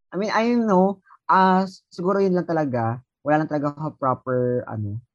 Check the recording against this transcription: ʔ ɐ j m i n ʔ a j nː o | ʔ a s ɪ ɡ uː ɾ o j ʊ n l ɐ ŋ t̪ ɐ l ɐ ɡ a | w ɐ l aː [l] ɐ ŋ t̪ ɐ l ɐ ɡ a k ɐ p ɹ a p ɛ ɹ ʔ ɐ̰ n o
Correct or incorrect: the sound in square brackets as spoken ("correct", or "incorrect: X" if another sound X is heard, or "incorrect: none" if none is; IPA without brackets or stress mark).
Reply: correct